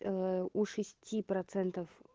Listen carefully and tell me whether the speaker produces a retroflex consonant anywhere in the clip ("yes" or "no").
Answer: yes